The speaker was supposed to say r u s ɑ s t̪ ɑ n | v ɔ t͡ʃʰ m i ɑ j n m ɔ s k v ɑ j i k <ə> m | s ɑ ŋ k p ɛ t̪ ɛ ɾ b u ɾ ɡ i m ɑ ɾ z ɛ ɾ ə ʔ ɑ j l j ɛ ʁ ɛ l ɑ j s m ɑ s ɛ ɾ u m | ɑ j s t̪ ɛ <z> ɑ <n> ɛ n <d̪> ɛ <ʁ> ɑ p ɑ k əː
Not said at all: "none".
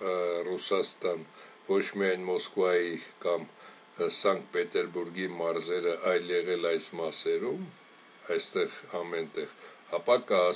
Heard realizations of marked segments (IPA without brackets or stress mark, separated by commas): ɑ, ʁ, m, t̪, ʁ